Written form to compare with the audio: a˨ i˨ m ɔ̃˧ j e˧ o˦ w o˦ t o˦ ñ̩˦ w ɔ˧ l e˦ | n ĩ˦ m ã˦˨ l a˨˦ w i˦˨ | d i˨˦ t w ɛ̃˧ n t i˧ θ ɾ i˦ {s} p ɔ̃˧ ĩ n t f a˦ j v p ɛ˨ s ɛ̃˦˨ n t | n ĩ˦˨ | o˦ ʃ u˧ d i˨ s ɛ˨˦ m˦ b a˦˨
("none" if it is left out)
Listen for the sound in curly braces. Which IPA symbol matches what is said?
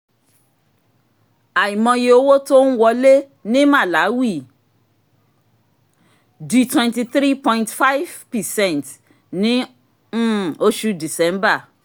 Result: none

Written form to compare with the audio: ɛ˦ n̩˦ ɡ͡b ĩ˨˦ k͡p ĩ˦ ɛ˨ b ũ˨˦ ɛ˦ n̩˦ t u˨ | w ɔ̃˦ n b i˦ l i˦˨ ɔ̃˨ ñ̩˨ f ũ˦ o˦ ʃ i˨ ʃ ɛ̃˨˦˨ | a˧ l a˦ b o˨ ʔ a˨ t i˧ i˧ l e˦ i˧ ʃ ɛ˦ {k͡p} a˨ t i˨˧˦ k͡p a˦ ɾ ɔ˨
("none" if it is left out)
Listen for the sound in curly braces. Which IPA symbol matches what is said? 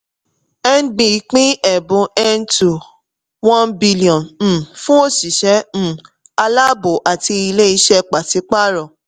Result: k͡p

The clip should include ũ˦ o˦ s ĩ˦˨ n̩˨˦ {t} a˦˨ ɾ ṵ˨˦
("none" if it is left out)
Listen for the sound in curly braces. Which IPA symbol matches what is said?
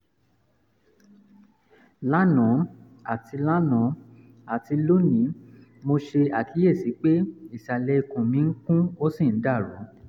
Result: d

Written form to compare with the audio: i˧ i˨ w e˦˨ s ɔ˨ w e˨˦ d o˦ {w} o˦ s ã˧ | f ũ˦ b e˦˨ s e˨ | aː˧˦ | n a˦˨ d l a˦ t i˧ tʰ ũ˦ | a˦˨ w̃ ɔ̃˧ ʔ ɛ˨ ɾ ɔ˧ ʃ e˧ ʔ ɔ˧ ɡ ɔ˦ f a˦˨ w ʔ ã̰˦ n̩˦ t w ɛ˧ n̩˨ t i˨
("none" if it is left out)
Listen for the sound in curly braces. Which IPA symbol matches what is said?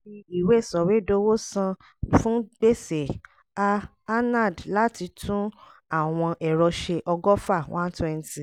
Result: w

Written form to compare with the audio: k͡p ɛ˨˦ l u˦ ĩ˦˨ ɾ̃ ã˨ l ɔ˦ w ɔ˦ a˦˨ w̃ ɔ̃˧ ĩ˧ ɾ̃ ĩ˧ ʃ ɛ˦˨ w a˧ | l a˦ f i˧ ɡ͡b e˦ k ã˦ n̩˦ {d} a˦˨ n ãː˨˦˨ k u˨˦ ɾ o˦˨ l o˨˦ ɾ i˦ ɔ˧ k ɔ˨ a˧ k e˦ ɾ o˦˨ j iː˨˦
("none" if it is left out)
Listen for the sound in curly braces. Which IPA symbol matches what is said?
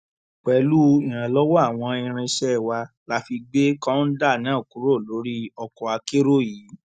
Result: d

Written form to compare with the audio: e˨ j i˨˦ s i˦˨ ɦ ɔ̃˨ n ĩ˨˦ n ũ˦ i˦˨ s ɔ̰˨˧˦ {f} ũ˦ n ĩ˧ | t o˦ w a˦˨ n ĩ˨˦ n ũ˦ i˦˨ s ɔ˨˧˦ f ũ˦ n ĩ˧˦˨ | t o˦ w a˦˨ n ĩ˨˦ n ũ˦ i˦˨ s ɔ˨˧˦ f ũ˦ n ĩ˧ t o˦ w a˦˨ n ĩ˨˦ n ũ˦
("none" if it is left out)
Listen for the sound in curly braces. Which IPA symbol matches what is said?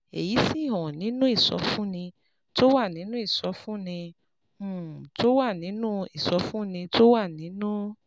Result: f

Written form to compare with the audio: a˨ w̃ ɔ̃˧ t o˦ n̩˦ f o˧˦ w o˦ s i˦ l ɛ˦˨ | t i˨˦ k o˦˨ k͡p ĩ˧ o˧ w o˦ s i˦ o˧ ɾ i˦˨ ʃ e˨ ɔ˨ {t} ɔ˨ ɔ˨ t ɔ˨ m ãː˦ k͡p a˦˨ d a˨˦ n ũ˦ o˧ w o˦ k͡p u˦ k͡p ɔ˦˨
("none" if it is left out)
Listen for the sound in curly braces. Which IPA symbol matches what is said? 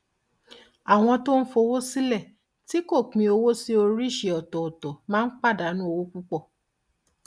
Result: t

